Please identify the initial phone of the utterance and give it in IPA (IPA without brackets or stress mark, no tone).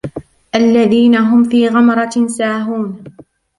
ʔ